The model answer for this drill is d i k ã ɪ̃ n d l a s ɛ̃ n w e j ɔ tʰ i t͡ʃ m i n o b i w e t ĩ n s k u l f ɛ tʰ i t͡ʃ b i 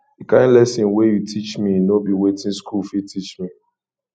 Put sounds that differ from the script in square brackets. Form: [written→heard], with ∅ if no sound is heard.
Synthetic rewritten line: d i k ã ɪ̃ n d l [a→ɛ] s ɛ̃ n w e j [ɔ→u] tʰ i t͡ʃ m i n o b i w e t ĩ n s k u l f [ɛ→i] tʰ i t͡ʃ [b→m] i